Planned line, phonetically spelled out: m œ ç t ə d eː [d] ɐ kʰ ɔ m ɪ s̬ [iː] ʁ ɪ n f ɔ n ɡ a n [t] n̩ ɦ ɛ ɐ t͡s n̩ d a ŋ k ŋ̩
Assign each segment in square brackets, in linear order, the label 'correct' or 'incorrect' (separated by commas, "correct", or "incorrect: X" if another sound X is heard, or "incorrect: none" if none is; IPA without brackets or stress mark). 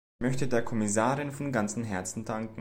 incorrect: none, incorrect: aː, incorrect: t͡s